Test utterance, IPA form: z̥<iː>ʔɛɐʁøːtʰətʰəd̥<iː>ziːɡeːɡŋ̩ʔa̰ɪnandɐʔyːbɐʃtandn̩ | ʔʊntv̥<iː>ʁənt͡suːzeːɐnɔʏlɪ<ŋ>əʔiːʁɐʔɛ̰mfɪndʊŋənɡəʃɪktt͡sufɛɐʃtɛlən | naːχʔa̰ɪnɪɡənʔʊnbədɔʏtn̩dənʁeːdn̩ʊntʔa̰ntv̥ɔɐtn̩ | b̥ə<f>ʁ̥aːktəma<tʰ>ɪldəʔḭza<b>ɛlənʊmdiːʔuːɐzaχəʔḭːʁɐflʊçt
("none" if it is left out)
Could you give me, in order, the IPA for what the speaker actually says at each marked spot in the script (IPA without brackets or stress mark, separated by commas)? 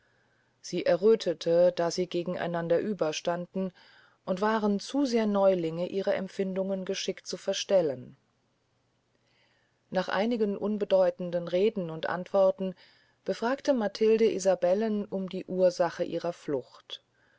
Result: iː, aː, aː, ŋ, f, tʰ, b